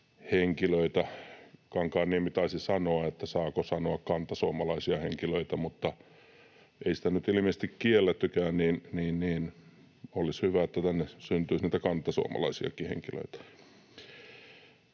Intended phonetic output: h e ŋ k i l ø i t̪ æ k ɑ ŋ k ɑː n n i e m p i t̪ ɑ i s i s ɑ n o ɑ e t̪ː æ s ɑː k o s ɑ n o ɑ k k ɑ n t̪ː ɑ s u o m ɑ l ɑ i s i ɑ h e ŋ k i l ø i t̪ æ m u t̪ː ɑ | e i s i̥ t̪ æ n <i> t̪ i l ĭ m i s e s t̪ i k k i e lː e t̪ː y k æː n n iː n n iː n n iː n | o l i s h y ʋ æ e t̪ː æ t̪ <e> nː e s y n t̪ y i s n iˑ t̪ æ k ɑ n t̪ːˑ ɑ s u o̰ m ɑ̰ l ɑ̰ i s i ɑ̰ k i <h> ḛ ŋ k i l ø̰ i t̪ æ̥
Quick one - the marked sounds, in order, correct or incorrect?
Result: incorrect: y, incorrect: æ, correct

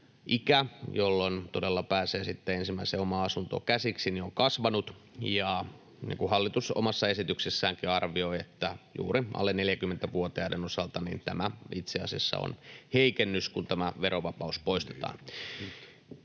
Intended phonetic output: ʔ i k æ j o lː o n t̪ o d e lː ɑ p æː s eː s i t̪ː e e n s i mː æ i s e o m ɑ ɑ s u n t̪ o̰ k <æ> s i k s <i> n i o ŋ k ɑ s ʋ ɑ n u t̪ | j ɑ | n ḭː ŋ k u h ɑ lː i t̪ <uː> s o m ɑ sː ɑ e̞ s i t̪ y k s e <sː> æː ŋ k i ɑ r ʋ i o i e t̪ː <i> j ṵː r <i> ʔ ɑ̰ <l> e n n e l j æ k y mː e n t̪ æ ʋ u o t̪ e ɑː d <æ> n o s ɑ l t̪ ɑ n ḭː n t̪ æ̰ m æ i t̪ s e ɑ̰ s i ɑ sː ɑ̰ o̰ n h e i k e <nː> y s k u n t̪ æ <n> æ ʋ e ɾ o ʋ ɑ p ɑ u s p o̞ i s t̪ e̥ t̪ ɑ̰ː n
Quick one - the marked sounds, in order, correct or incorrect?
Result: correct, correct, incorrect: u, correct, incorrect: æ, correct, incorrect: lː, incorrect: e, correct, incorrect: m

